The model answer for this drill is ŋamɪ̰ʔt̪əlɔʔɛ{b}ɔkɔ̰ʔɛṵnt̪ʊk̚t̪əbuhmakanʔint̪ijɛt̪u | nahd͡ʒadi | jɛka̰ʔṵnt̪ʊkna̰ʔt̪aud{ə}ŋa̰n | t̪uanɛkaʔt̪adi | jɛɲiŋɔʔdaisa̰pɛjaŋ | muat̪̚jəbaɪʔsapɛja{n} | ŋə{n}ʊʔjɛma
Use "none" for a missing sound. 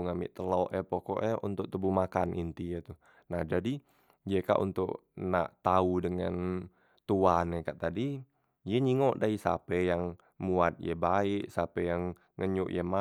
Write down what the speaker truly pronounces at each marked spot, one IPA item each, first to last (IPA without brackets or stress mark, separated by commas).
p, ə, ŋ, ɲ